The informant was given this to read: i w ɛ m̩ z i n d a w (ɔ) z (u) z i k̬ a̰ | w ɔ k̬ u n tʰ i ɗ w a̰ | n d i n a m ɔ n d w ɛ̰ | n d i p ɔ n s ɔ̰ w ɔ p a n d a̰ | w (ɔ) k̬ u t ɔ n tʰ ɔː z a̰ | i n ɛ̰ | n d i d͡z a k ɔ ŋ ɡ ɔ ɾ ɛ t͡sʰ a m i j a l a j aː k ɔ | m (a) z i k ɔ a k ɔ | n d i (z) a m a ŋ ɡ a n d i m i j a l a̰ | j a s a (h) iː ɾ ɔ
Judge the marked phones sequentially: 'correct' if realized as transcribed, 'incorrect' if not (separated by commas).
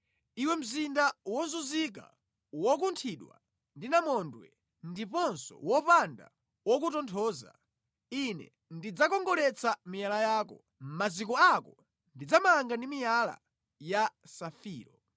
correct, correct, correct, correct, incorrect, incorrect